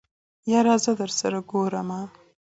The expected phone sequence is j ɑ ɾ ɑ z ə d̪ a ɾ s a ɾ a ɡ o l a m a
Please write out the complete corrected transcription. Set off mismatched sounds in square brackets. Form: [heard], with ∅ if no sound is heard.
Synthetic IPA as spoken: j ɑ ɾ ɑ z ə d̪ [ə] ɾ s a ɾ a ɡ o [ɾ] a m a